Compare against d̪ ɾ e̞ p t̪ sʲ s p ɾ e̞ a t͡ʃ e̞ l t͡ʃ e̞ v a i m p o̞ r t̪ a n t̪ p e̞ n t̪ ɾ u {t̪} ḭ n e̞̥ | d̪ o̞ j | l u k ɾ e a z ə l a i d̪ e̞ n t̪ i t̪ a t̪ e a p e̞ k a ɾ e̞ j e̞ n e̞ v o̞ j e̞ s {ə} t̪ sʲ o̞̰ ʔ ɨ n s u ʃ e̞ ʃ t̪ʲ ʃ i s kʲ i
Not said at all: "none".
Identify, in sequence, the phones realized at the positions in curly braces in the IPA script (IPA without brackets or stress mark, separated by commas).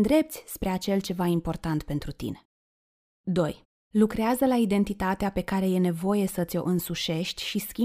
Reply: t̪, ə